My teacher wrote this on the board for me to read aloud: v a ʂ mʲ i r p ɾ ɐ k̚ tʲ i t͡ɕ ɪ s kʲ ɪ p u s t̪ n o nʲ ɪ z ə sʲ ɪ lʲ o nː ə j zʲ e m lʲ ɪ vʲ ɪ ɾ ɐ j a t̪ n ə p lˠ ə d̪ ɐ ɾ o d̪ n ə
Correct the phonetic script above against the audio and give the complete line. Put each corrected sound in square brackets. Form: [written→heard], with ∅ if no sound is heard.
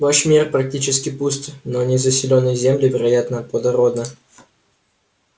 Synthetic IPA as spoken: v a ʂ mʲ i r p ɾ ɐ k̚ tʲ i t͡ɕ ɪ s kʲ ɪ p u s t̪ n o nʲ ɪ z ə sʲ ɪ lʲ o nː ə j zʲ e m lʲ ɪ vʲ ɪ ɾ ɐ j a t̪ n ə p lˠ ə d̪ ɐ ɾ o d̪ n ə